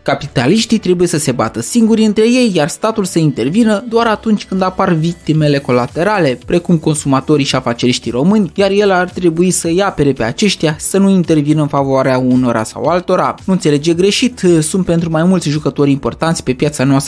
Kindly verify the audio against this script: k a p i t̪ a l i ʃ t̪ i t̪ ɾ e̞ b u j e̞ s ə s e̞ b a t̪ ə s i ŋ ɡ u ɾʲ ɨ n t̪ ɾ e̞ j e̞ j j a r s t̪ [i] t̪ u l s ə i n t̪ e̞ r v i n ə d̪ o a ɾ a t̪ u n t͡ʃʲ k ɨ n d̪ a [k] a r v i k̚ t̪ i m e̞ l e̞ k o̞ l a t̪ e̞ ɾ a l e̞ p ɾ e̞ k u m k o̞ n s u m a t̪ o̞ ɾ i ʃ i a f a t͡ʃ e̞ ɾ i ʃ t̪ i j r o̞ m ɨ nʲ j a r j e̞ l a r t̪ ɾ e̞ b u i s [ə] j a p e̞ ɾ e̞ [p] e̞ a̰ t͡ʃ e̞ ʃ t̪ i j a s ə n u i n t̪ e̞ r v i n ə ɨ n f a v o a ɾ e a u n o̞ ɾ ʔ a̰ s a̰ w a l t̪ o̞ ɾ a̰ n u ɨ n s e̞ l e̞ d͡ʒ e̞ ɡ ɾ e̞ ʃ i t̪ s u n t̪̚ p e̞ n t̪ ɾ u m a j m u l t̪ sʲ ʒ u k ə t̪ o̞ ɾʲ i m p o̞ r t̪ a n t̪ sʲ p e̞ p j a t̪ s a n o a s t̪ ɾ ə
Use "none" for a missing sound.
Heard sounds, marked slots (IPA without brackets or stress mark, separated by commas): a, p, ə, p